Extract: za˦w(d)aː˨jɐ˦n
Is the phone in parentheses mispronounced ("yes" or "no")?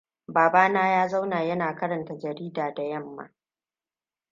yes